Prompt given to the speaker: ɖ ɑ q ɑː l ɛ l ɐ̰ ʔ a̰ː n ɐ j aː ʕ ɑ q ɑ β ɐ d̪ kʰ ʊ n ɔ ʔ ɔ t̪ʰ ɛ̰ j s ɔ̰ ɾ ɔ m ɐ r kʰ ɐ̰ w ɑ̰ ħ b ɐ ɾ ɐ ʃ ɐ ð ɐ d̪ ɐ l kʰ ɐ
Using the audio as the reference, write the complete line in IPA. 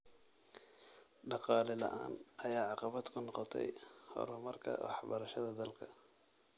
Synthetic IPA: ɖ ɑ q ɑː l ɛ l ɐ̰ ʔ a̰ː n ɐ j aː ʕ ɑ q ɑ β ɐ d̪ kʰ ʊ n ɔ q ɔ t̪ʰ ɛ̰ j h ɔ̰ ɾ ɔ m ɐ r kʰ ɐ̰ w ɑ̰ ħ b ɐ ɾ ɐ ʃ ɐ ð ɐ d̪ ɐ l kʰ ɐ

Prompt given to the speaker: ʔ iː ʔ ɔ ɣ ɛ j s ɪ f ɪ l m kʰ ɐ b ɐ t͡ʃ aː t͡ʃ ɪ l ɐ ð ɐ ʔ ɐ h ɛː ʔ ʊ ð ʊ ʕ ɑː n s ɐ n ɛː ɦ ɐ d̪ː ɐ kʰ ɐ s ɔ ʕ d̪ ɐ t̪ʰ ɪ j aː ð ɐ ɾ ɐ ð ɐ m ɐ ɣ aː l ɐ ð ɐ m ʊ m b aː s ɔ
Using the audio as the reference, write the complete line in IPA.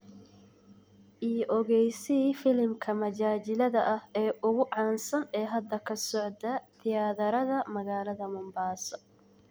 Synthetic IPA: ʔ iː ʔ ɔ ɣ ɛ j s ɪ f ɪ l m kʰ ɐ m ɐ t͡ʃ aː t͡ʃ ɪ l ɐ ð ɐ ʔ ɐ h ɛː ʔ ʊ ɣ ʊ ʕ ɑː n s ɐ n ɛː ɦ ɐ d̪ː ɐ kʰ ɐ s ɔ ʕ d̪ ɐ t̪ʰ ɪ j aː ð ɐ ɾ ɐ ð ɐ m ɐ ɣ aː l ɐ ð ɐ m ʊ m b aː s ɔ

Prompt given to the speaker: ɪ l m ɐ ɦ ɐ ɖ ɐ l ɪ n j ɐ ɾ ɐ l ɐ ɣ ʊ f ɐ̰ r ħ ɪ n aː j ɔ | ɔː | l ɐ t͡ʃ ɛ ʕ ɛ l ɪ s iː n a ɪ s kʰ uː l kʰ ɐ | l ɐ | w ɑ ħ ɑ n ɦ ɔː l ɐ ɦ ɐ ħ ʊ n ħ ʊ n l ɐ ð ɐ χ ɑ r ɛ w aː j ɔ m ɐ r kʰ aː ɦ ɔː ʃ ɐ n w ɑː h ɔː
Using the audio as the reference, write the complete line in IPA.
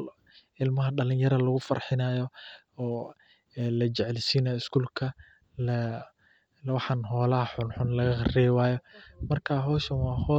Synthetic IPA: ɪ l m ɐ ɦ ɐ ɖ ɐ l ɪ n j ɐ ɾ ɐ l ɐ ɣ ʊ f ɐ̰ r ħ ɪ n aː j ɔ | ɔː | l ɐ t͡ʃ ɛ ʕ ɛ l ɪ s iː n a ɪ s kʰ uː l kʰ ɐ | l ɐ | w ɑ ħ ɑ n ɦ ɔː l ɐ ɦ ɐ ħ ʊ n ħ ʊ n l ɐ ɣ ɐ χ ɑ r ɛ w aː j ɔ m ɐ r kʰ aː ɦ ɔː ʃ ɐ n w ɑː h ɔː

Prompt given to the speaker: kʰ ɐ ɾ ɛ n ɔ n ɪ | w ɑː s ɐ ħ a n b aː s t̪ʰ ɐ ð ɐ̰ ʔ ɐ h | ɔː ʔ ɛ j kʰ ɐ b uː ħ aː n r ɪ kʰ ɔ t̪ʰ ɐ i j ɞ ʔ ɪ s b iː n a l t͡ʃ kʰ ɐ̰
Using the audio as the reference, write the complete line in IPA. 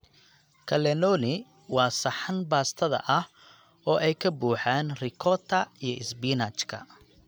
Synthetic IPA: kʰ ɐ l ɛ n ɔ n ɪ | w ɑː s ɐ ħ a n b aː s t̪ʰ ɐ ð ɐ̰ ʔ ɐ h | ɔː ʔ ɛ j kʰ ɐ b uː ħ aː n r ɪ kʰ ɔ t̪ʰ ɐ i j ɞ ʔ ɪ s b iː n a t͡ʃ kʰ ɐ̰

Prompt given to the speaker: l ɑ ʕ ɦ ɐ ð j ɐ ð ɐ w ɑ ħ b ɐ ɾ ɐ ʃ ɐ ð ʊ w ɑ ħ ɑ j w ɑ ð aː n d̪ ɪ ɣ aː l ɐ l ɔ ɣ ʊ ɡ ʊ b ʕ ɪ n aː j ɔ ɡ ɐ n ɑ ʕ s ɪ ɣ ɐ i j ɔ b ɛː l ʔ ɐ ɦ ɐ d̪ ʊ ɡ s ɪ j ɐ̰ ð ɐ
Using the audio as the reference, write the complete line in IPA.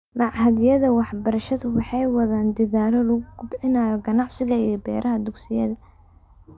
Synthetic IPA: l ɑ ʕ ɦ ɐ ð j ɐ ð ɐ w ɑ ħ b ɐ ɾ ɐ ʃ ɐ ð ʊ w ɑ ħ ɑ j w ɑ ð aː n d̪ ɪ ð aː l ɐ l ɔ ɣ ʊ ɡ ʊ b ʕ ɪ n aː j ɔ ɡ ɐ n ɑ ʕ s ɪ ɣ ɐ i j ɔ b ɛː ɾ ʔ ɐ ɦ ɐ d̪ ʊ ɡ s ɪ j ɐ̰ ð ɐ

